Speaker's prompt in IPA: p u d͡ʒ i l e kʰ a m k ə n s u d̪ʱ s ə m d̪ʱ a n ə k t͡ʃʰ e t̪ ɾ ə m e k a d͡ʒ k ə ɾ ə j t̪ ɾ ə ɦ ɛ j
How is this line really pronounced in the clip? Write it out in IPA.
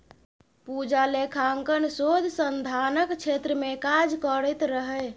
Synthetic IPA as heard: p u d͡ʒ a l e kʰ a ŋ k ə n s o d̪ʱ s ə n d̪ʱ a n ə k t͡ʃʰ e t̪ ɾ ə m e k a d͡ʒ k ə ɾ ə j t̪ ɾ ə ɦ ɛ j